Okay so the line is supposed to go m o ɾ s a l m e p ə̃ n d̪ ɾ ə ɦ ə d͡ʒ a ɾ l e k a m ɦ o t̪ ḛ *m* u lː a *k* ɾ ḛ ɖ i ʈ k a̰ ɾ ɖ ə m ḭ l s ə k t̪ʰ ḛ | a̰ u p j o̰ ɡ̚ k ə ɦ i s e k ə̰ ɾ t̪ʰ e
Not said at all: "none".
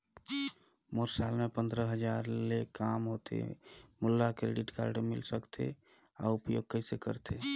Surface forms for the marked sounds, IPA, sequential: m, k

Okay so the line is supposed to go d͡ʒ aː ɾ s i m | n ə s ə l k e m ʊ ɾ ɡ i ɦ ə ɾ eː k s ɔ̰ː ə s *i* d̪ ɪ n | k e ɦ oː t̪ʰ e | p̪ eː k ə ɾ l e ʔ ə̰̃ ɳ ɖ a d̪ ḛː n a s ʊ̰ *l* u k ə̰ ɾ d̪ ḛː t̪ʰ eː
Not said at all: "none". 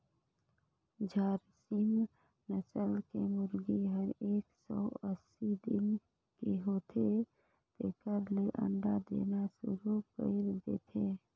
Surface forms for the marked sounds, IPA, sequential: i, ɾ

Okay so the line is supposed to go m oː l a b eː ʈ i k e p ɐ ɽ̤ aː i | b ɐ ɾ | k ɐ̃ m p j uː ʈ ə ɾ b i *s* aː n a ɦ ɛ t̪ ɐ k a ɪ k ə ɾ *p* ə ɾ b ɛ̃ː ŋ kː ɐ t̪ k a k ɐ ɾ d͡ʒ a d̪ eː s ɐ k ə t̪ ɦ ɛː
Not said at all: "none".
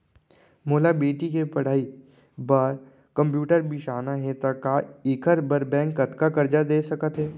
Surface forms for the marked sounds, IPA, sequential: ʃ, b

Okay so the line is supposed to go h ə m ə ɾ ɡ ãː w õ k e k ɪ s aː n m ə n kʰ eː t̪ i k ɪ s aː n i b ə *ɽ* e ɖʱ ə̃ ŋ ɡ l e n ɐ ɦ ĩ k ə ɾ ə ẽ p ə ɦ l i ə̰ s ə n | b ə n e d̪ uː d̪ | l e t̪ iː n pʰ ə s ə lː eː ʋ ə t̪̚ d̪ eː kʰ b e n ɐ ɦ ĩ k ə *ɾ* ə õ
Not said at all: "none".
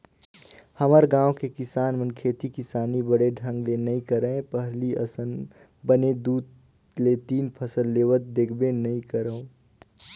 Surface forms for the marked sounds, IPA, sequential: ɽ, ɾ

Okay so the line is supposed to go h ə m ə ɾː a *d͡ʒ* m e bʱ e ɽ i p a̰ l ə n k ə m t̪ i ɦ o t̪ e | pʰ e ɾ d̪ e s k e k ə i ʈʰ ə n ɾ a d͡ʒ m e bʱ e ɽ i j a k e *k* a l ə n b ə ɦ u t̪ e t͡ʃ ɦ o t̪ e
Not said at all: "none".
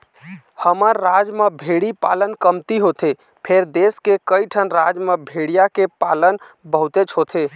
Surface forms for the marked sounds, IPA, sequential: d͡ʒ, p

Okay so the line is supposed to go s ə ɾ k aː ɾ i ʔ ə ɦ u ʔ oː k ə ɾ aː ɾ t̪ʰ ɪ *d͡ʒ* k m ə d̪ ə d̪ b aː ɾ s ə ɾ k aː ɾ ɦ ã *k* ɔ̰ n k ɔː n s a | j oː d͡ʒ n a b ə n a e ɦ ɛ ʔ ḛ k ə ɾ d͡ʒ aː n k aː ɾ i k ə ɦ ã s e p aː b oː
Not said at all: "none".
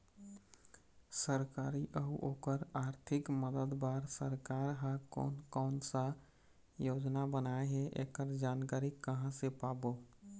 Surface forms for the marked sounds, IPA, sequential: none, k

